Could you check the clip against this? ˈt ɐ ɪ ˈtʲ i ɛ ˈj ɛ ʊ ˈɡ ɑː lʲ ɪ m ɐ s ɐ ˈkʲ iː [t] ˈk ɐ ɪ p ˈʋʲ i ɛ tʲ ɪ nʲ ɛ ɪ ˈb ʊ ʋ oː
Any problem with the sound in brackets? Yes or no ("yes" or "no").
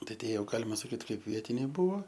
no